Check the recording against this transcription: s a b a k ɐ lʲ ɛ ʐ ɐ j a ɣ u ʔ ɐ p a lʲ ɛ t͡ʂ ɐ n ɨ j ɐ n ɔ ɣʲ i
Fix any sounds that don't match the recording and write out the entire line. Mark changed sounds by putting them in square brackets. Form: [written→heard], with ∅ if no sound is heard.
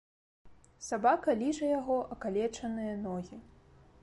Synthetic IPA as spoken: s a b a k ɐ lʲ [ɛ→i] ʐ ɐ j a ɣ [u→ɔ] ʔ ɐ [p→k] a lʲ ɛ t͡ʂ ɐ n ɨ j ɐ n ɔ ɣʲ i